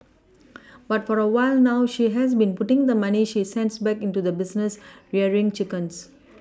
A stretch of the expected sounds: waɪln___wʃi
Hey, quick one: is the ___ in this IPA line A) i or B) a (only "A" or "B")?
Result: B